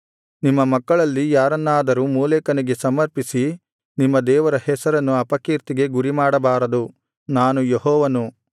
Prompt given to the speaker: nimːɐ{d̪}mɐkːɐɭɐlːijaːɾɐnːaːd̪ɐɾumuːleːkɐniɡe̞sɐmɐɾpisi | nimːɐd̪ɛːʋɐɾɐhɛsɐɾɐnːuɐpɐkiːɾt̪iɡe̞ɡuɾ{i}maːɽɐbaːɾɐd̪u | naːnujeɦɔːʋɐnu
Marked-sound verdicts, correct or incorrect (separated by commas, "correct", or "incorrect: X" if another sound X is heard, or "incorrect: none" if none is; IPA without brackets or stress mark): incorrect: none, correct